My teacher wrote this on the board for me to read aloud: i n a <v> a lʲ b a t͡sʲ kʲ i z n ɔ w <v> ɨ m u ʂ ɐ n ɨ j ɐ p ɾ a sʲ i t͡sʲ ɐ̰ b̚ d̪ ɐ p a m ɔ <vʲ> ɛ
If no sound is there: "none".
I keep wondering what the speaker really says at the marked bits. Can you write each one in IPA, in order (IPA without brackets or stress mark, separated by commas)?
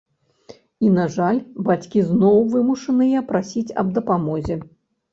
ʐ, v, zʲ